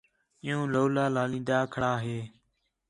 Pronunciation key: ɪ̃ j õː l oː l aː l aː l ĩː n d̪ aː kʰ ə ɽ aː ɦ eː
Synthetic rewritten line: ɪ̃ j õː l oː l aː l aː l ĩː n d̪ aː kʰ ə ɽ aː ɦ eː